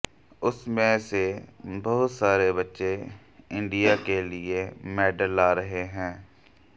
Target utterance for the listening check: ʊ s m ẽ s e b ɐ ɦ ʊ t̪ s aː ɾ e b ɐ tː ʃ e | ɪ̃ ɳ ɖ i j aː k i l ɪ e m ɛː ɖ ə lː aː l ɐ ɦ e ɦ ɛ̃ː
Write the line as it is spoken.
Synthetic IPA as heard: ʊ s m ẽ s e b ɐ ɦ ʊ t̪ s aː ɾ e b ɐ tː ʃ e | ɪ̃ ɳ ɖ i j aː k e l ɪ e m ɛː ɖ ə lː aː ɾ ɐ ɦ e ɦ ɛ̃ː

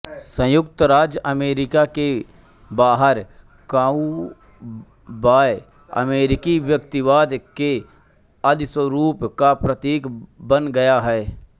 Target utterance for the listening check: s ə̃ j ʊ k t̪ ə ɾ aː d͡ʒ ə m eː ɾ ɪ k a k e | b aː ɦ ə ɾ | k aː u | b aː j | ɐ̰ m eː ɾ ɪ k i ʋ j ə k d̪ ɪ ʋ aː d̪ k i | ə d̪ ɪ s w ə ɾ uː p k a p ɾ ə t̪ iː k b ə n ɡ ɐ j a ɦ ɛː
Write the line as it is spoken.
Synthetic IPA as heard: s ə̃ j ʊ k t̪ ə ɾ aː d͡ʒ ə m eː ɾ ɪ k a k e | b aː ɦ ə ɾ | k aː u | b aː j | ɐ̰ m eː ɾ ɪ k i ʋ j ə k t̪ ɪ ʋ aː d̪ k e | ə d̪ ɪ s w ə ɾ uː p k a p ɾ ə t̪ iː k b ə n ɡ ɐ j a ɦ ɛː

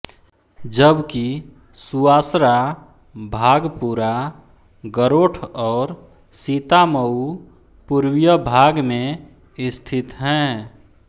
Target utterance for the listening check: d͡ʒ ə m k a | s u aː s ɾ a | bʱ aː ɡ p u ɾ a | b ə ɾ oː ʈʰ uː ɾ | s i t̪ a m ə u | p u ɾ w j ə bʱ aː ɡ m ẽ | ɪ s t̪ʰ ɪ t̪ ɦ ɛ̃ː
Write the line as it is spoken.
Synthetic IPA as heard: d͡ʒ ə b k i | s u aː s ɾ a | bʱ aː ɡ p u ɾ a | ɡ ə ɾ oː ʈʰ ɔː ɾ | s i t̪ a m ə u | p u ɾ w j ə bʱ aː ɡ m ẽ | ɪ s t̪ʰ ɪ t̪ ɦ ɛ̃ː

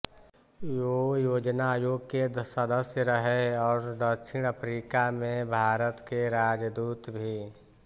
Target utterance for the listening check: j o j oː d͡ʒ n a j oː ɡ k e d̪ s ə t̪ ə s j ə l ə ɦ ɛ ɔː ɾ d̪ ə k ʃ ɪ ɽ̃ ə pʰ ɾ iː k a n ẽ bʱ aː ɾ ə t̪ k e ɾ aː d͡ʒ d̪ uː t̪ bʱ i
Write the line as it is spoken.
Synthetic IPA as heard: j o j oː d͡ʒ n a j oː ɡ k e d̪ s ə d̪ ə s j ə ɾ ə ɦ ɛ ɔː ɾ d̪ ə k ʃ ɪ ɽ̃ ə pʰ ɾ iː k a m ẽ bʱ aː ɾ ə t̪ k e ɾ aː d͡ʒ d̪ uː t̪ bʱ i

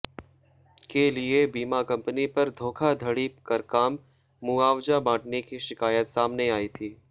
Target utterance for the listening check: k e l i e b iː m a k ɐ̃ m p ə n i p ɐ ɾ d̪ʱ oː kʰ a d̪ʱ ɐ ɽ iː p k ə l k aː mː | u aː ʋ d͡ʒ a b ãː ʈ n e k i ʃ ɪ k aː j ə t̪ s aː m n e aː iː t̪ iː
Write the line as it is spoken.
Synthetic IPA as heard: k e l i e b iː m a k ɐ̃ m p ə n i p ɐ ɾ d̪ʱ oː kʰ a d̪ʱ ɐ ɽ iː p k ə ɾ k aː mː | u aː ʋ d͡ʒ a b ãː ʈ n e k i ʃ ɪ k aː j ə t̪ s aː m n e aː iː t̪ʰ iː

